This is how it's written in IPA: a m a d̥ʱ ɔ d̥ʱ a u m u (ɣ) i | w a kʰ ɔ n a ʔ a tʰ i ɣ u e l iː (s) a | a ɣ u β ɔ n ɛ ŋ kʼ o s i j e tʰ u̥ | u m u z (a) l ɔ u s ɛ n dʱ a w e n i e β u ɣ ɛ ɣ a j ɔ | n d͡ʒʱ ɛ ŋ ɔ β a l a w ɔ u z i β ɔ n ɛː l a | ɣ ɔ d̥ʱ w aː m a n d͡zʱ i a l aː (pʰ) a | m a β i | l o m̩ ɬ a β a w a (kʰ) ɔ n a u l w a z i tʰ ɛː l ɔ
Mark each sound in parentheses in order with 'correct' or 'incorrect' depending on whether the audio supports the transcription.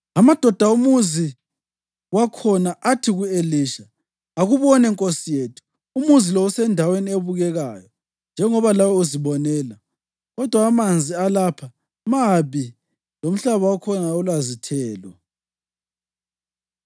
incorrect: z, incorrect: ʃ, incorrect: i, correct, correct

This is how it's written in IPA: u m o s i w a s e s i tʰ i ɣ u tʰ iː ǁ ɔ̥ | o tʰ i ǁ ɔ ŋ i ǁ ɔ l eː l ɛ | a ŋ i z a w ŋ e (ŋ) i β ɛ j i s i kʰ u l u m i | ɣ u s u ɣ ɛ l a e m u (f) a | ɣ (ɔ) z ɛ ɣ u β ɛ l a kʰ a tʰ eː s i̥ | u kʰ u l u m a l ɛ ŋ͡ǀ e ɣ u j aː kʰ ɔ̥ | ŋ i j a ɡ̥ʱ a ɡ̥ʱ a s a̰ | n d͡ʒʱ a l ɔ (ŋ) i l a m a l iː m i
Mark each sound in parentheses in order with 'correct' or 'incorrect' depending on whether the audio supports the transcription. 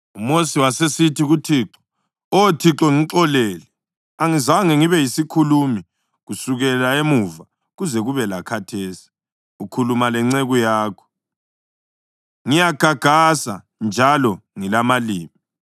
correct, incorrect: v, incorrect: u, correct

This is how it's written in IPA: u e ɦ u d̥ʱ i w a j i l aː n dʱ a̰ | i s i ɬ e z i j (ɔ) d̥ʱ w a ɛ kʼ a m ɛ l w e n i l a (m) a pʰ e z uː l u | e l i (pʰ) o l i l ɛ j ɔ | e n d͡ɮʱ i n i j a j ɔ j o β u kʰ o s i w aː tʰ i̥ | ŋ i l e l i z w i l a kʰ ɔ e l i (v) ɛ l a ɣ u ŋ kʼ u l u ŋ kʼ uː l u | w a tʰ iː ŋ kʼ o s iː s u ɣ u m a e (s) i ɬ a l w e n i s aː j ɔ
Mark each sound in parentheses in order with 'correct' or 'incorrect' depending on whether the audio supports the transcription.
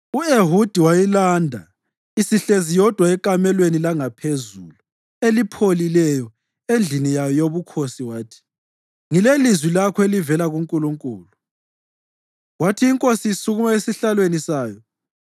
correct, incorrect: ŋ, correct, correct, correct

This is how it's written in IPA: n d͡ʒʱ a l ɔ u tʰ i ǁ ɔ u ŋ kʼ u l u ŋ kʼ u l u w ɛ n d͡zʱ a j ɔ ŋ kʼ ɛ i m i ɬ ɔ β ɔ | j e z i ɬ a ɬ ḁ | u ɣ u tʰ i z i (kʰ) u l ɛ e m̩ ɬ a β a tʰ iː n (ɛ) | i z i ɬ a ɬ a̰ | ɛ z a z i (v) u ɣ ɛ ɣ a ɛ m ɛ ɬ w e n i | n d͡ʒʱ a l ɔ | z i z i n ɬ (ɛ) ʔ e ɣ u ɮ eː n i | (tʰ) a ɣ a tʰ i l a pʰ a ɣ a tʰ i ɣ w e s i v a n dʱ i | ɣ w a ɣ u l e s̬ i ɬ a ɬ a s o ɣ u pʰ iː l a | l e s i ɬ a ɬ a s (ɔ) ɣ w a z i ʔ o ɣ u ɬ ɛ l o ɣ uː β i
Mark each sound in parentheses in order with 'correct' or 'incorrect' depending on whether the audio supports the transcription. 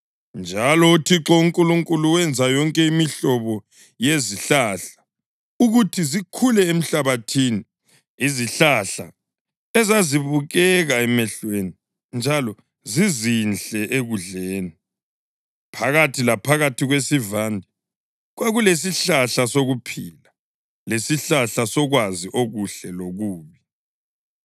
correct, incorrect: i, incorrect: β, correct, incorrect: pʰ, correct

